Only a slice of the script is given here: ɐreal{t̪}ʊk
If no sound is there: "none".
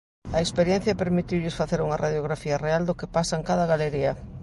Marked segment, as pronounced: d̪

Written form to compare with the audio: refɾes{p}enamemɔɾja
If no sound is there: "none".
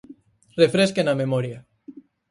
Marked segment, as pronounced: k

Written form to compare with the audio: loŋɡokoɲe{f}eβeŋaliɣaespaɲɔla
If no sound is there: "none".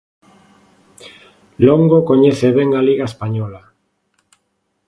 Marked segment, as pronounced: θ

